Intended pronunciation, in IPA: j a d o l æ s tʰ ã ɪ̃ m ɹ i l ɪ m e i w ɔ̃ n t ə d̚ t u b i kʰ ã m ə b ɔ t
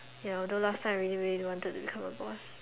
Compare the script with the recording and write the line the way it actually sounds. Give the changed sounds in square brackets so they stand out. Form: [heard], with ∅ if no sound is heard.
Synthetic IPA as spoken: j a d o l [a] s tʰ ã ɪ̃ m ɹ i l [i] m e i w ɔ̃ n t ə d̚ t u b i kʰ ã m ə b ɔ [s]